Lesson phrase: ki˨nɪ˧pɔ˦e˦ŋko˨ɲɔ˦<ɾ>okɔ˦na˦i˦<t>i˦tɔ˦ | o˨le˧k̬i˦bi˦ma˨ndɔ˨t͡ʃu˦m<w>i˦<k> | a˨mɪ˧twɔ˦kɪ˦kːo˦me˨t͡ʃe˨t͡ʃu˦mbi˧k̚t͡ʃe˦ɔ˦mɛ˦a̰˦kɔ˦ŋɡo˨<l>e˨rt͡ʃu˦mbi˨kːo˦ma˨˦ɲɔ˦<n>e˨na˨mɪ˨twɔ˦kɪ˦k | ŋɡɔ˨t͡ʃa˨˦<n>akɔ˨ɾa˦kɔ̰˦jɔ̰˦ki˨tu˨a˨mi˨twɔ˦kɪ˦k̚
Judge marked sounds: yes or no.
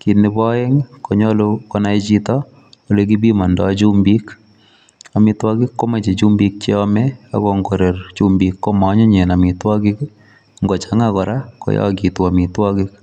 no, no, no, yes, no, no, no

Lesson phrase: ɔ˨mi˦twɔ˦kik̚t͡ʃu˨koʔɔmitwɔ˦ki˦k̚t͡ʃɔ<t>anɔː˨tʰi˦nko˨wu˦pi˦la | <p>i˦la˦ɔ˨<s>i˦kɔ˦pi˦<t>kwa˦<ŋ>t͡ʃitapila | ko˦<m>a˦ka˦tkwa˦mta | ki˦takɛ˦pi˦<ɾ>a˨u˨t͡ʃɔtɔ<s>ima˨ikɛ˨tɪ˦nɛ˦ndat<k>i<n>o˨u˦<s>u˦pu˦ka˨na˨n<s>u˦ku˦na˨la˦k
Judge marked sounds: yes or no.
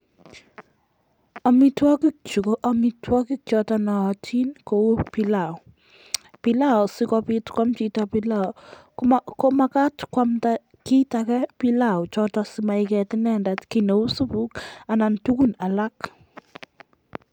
yes, yes, yes, yes, no, yes, no, yes, yes, yes, yes, no

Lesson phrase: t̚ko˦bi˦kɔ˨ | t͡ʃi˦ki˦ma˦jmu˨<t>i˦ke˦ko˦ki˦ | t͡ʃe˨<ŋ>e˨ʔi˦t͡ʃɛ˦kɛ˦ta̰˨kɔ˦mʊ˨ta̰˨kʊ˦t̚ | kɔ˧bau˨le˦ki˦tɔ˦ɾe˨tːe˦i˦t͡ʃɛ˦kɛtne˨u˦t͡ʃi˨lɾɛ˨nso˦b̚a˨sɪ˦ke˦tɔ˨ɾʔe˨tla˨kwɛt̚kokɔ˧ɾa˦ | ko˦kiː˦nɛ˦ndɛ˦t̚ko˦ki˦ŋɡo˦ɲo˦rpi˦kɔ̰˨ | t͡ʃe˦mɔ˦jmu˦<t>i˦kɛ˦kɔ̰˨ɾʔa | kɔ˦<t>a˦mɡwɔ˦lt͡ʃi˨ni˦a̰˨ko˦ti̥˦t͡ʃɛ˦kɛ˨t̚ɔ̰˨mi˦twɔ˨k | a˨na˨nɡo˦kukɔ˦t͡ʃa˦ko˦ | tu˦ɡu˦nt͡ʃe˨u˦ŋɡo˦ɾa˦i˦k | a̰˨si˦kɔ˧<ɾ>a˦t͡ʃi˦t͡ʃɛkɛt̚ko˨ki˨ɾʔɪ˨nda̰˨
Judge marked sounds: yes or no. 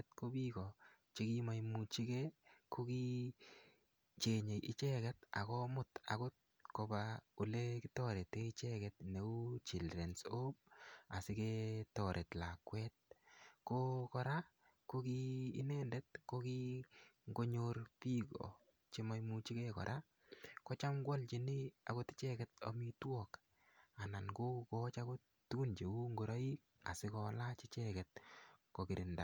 no, no, no, no, no

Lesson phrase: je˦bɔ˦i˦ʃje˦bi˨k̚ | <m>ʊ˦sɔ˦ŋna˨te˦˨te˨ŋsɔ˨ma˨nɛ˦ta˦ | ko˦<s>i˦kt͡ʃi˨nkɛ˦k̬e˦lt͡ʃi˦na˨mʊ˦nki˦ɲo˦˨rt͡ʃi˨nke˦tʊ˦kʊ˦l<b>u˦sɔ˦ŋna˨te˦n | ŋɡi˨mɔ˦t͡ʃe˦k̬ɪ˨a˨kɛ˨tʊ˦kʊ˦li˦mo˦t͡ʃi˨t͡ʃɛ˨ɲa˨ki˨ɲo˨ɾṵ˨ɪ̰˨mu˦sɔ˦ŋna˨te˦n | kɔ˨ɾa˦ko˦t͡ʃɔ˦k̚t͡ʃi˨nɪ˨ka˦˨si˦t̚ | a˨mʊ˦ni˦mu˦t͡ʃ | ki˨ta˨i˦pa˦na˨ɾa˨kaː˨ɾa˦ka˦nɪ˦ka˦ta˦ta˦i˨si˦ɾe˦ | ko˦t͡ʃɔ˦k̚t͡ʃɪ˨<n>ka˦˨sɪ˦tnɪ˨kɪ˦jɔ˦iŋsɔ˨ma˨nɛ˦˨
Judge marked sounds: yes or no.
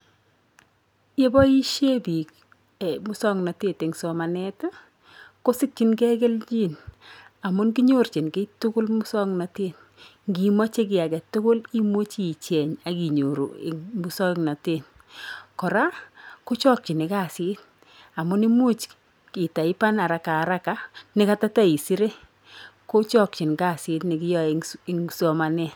yes, yes, no, yes

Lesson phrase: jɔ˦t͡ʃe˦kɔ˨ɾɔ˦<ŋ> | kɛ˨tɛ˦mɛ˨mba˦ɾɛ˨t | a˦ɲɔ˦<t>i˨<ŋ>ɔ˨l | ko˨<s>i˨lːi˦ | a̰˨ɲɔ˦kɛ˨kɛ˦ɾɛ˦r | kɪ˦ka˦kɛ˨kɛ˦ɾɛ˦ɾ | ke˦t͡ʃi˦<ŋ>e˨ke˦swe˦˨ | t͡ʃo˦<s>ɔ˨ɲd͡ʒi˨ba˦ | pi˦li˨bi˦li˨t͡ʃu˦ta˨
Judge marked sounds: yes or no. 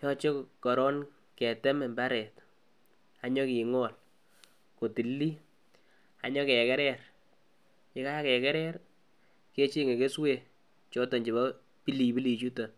no, no, yes, no, yes, no

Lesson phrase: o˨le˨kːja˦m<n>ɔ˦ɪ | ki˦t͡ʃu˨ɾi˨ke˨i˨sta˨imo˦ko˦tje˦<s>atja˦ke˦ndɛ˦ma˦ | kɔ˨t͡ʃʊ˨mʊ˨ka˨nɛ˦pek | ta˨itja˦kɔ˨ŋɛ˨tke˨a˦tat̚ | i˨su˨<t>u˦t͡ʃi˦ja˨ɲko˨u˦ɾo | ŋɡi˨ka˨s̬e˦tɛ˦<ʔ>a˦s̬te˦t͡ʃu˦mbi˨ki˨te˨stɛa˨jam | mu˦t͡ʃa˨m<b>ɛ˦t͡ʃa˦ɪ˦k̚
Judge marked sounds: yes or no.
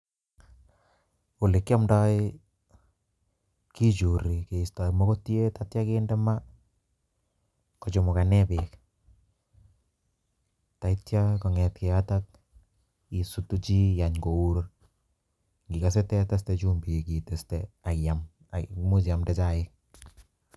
no, no, yes, no, no

